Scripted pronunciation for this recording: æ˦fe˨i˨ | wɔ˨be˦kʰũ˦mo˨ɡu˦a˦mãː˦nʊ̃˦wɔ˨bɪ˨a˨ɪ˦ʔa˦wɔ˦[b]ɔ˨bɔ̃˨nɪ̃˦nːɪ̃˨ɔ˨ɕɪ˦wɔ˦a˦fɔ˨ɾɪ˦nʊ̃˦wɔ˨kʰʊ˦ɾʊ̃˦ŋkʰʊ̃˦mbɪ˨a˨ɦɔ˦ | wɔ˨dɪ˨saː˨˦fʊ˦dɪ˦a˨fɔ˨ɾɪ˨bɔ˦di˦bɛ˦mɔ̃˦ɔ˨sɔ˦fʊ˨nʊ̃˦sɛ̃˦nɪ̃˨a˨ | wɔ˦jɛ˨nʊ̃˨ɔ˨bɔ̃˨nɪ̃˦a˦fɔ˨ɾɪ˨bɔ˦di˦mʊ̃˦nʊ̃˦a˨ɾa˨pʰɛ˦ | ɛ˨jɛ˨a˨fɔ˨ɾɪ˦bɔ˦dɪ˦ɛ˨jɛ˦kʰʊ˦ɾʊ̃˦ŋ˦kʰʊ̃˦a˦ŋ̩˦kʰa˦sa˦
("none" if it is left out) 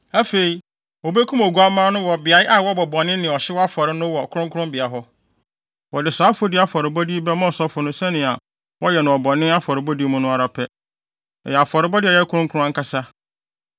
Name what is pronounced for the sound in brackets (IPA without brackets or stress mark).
b